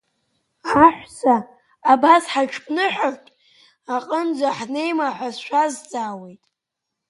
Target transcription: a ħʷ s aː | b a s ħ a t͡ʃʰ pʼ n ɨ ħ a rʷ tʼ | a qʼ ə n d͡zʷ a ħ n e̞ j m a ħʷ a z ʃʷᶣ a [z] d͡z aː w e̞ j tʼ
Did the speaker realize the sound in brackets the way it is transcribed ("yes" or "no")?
yes